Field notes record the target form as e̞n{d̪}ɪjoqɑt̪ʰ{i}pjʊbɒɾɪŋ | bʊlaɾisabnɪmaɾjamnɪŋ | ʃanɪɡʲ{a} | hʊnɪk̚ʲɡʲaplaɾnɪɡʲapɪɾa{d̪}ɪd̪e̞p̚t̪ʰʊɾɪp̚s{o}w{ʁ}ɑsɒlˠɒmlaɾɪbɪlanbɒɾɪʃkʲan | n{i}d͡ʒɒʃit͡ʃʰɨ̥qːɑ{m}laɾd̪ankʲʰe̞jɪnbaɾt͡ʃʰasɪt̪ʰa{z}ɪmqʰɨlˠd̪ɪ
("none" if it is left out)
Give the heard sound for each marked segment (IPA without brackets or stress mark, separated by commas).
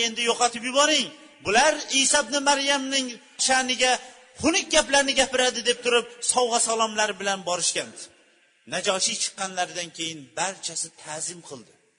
d̪, ɪ, a, d̪, ɒ, ʁ, a, n, z